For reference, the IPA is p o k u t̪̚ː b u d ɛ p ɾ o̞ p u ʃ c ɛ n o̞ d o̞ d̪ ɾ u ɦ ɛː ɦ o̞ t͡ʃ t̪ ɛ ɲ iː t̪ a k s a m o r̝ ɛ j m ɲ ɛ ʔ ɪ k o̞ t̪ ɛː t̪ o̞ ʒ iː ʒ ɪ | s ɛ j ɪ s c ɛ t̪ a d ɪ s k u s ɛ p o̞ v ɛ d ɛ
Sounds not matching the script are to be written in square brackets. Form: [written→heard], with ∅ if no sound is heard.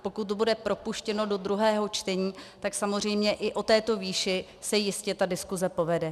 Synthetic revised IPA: p o k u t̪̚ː b u d ɛ p ɾ o̞ p u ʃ c ɛ n o̞ d o̞ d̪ ɾ u ɦ ɛː ɦ o̞ t͡ʃ t̪ ɛ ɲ iː t̪ a k s a m o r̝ ɛ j m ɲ ɛ ʔ ɪ [k→ʔ] o̞ t̪ ɛː t̪ o̞ [ʒ→v] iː [ʒ→ʃ] ɪ | s ɛ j ɪ s c ɛ t̪ a d ɪ s k u [s→z] ɛ p o̞ v ɛ d ɛ